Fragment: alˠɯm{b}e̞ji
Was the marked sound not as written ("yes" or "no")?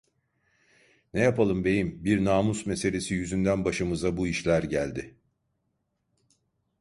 no